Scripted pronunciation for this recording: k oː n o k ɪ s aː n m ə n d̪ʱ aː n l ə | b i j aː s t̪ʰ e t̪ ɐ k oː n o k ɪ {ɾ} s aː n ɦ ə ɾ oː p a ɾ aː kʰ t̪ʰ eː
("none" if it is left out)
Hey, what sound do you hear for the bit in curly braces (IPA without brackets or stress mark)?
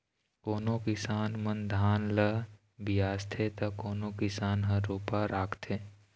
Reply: none